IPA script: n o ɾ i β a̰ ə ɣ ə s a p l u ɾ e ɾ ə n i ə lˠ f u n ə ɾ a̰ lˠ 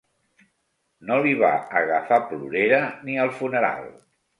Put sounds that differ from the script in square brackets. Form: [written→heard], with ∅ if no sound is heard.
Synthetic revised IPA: n o [ɾ→l] i β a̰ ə ɣ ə [s→f] a p l u ɾ e ɾ ə n i ə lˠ f u n ə ɾ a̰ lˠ